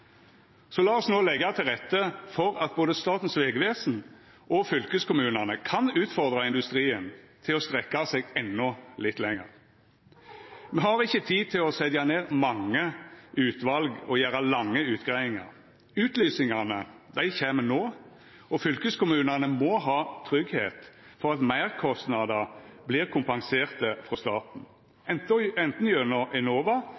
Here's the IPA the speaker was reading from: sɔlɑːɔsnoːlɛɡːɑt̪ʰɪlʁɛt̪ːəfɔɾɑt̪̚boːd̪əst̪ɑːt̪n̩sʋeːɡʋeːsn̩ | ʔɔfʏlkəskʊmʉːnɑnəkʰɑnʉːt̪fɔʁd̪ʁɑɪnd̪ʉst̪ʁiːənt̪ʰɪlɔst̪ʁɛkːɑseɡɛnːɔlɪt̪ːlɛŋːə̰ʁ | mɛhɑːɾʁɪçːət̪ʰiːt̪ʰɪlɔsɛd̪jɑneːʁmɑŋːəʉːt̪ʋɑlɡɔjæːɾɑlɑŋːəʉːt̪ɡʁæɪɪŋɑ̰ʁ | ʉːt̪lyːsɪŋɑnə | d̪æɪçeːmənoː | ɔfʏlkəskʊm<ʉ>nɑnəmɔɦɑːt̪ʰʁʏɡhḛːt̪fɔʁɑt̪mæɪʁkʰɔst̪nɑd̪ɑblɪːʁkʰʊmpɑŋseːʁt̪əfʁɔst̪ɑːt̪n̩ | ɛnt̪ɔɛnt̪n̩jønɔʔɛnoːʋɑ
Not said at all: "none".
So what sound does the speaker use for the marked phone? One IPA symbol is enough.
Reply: ʉː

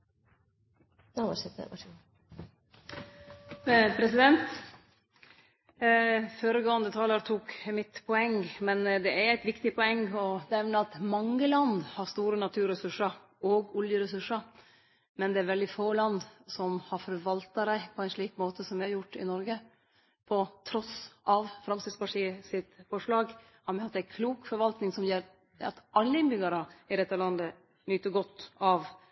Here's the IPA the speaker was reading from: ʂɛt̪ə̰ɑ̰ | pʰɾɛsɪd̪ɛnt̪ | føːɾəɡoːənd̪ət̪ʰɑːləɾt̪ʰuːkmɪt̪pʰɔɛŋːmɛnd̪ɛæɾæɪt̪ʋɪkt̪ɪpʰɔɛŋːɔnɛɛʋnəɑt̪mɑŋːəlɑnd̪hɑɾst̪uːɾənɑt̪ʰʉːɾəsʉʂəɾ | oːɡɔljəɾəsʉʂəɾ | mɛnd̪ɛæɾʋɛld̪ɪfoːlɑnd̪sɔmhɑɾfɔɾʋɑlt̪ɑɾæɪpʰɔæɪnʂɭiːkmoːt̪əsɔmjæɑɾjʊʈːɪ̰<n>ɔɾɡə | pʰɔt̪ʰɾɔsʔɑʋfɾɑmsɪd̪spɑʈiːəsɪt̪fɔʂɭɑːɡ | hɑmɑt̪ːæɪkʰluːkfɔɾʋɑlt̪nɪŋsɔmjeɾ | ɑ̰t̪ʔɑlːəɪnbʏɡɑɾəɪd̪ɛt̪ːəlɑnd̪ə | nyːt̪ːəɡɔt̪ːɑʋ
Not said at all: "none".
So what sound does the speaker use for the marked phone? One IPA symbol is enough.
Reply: n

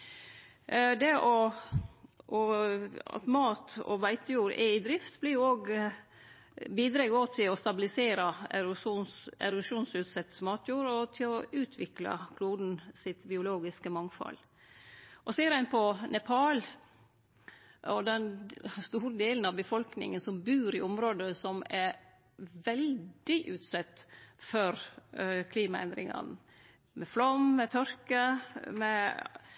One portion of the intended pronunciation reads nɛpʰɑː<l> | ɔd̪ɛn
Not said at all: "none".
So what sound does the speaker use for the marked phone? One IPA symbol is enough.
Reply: l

